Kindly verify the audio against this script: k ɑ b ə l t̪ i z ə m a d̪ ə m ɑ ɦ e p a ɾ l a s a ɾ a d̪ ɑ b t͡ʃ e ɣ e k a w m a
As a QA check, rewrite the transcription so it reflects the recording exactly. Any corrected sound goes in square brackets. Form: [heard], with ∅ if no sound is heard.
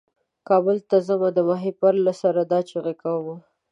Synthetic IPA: k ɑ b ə l t̪ [a] z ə m a d̪ ə m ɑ ɦ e p a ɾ l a s a ɾ a d̪ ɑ [∅] t͡ʃ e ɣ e k a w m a